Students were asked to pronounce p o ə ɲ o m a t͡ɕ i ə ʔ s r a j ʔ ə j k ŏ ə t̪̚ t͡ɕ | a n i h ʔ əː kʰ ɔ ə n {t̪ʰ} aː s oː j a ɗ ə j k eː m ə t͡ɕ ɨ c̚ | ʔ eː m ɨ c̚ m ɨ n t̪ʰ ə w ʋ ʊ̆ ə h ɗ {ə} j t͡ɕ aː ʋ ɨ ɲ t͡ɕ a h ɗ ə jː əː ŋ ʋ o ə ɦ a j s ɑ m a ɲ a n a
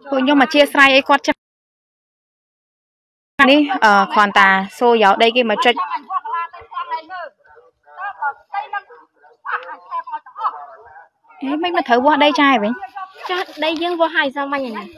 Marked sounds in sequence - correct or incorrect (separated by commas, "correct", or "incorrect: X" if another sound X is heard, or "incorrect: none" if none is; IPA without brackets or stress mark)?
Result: incorrect: t̪, correct